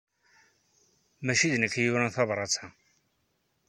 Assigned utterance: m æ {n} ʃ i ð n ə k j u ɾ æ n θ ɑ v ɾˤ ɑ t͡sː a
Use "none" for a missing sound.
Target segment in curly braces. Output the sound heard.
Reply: none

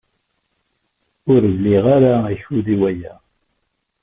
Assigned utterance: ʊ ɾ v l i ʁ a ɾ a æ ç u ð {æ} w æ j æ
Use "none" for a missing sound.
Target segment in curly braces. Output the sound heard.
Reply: i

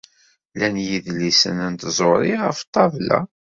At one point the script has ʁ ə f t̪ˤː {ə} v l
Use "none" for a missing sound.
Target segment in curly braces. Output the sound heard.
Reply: ɑ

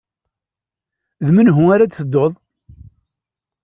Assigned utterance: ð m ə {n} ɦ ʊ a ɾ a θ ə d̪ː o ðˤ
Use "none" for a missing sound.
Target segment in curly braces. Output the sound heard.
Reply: n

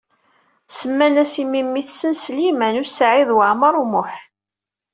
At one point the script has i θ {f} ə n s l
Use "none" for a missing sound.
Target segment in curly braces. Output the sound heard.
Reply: s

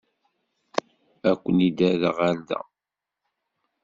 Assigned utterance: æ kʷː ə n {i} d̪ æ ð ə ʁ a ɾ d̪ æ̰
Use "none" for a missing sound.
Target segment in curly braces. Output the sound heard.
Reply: i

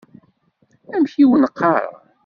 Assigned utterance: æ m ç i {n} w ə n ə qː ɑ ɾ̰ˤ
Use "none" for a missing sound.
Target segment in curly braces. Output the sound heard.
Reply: none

